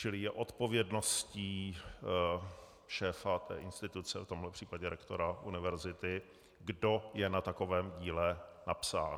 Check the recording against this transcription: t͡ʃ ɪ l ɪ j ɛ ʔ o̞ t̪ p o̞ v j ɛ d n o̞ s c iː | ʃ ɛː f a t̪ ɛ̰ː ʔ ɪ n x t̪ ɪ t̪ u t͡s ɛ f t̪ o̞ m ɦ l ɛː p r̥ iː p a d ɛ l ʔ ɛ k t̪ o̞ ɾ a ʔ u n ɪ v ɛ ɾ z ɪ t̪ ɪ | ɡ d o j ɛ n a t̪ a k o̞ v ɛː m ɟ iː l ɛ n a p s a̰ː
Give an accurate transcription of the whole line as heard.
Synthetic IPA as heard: t͡ʃ ɪ l ɪ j ɛ ʔ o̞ t̪ p o̞ v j ɛ d n o̞ s c iː | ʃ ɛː f a t̪ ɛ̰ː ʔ ɪ n s t̪ ɪ t̪ u t͡s ɛ f t̪ o̞ m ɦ l ɛ p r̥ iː p a ɟ ɛ ɾ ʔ ɛ k t̪ o̞ ɾ a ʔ u n ɪ v ɛ ɾ z ɪ t̪ ɪ | ɡ d o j ɛ n a t̪ a k o̞ v ɛː m ɟ iː l ɛ n a p s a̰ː